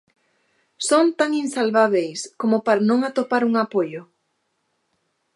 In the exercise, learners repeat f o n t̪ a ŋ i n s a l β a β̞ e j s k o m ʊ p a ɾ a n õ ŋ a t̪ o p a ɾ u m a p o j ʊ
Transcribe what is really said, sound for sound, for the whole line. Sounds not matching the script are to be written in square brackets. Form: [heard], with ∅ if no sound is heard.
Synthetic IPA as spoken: [s] o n t̪ a ŋ i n s a l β a β̞ e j s k o m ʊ p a ɾ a n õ ŋ a t̪ o p a ɾ u [ŋ] a p o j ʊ